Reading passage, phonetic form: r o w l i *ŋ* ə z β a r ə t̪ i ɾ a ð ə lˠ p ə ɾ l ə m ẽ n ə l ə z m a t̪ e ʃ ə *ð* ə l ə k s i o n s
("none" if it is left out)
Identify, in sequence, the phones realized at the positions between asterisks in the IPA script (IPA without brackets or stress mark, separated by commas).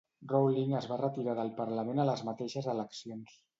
ŋ, z